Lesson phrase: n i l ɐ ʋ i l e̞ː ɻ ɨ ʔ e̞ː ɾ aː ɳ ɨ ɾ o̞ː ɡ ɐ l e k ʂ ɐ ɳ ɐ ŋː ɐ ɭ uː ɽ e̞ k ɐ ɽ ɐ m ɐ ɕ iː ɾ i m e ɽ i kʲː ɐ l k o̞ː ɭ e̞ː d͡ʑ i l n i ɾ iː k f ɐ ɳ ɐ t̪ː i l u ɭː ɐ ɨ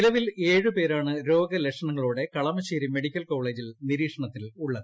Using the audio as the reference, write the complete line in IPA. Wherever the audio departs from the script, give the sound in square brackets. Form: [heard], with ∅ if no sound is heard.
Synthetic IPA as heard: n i l ɐ ʋ i l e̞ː ɻ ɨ [p] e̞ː ɾ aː ɳ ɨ ɾ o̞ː ɡ ɐ l e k ʂ ɐ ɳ ɐ ŋː ɐ ɭ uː ɽ e̞ k ɐ [ɭ] ɐ m ɐ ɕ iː ɾ i m e ɽ i kʲː ɐ l k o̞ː ɭ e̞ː d͡ʑ i l n i ɾ iː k [ʂ] ɐ ɳ ɐ t̪ː i l u ɭː ɐ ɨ